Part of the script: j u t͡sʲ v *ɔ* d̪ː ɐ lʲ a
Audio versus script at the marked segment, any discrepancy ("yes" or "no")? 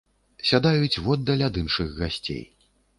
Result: no